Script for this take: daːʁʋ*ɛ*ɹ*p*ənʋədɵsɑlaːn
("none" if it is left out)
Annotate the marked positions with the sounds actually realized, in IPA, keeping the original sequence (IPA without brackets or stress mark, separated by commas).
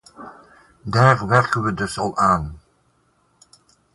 ɛ, k